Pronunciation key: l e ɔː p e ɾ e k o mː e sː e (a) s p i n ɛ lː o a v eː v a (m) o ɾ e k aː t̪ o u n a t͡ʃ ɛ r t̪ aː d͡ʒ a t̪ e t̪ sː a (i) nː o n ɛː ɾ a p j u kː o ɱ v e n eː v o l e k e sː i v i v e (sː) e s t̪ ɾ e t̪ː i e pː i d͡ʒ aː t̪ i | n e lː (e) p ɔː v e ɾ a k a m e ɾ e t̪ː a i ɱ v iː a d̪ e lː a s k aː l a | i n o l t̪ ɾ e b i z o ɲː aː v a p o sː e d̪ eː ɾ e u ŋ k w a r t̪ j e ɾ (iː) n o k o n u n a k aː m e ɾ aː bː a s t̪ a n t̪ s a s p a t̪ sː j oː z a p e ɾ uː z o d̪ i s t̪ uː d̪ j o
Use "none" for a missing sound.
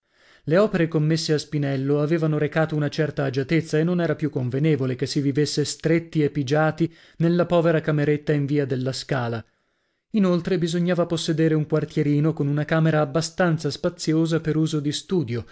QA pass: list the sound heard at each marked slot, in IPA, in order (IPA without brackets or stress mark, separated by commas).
a, n, e, sː, a, iː